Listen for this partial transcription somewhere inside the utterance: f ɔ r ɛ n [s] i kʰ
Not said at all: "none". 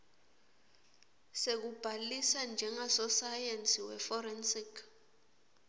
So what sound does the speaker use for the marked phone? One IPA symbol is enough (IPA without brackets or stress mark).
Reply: s